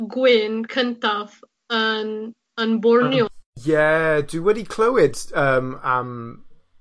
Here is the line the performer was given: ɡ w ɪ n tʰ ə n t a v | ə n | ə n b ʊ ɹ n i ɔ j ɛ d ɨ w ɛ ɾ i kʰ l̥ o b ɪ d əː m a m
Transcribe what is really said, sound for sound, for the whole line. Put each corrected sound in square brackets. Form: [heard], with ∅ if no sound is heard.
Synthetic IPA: ɡ w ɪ n [kʰ] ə n t a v | ə n | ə n b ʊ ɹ n [j] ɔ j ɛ d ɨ w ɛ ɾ i kʰ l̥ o [w] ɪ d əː m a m